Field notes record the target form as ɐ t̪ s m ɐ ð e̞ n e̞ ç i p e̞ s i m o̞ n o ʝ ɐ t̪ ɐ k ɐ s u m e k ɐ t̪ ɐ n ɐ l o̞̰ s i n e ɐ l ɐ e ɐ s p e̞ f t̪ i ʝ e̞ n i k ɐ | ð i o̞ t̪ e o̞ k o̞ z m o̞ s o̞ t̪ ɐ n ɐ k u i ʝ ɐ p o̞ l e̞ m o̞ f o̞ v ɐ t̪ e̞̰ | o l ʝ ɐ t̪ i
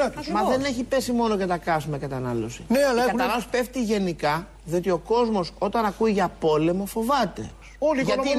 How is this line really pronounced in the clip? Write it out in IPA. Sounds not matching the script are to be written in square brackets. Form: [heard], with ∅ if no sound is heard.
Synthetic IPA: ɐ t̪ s m ɐ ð e̞ n e̞ ç i p e̞ s i m o̞ n o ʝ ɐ t̪ ɐ k ɐ s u m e k ɐ t̪ ɐ n ɐ l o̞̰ s i n e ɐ l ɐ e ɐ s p e̞ f t̪ i ʝ e̞ n i k ɐ | ð i o̞ t̪ [i] o̞ k o̞ z m o̞ s o̞ t̪ ɐ n ɐ k u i ʝ ɐ p o̞ l e̞ m o̞ f o̞ v ɐ t̪ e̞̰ | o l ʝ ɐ t̪ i